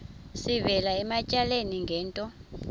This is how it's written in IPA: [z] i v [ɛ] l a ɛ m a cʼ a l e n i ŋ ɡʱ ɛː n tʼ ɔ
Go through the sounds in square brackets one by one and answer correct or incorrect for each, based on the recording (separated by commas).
incorrect, correct